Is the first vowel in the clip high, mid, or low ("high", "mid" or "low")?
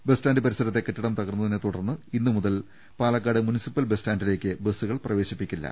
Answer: mid